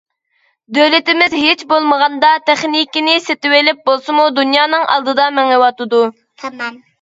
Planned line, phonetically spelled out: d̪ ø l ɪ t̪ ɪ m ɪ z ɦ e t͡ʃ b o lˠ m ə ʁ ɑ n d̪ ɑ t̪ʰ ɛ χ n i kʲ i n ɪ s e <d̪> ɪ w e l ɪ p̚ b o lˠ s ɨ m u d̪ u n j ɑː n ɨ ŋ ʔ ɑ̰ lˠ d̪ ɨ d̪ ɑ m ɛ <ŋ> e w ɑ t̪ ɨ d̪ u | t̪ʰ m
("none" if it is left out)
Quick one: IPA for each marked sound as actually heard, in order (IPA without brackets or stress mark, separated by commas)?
t̪, ŋ